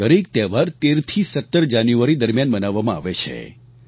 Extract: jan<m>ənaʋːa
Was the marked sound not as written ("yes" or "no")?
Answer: yes